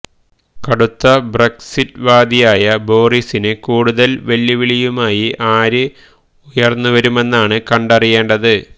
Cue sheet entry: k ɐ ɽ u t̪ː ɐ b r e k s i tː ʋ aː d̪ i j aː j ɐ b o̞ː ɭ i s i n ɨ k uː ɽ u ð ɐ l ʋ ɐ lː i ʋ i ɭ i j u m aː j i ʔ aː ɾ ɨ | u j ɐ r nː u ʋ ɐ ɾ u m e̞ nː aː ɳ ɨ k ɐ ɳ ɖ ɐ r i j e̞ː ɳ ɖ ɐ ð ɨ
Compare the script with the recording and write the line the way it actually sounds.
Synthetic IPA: k ɐ ɽ u t̪ː ɐ b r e k s i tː ʋ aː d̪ i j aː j ɐ b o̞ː r i s i n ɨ k uː ɽ u ð ɐ l ʋ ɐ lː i ʋ i ɭ i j u m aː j i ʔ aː ɾ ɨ | u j ɐ r nː u ʋ ɐ ɾ u m e̞ nː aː ɳ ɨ k ɐ ɳ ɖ ɐ r i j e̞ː ɳ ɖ ɐ ð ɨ